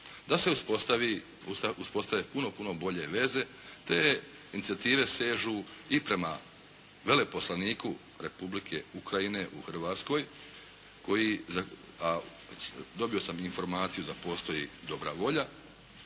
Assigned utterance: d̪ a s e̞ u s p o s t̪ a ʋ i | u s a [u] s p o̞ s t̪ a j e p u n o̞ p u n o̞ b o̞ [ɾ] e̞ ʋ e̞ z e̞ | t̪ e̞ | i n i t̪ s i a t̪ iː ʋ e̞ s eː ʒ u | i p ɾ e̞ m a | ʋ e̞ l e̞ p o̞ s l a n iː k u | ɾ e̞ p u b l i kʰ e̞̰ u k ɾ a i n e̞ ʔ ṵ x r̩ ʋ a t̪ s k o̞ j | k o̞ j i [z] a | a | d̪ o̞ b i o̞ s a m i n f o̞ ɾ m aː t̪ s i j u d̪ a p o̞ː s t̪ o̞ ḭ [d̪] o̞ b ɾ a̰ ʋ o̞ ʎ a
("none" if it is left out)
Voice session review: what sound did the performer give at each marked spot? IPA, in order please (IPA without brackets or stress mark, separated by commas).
u, ʎ, z, d̪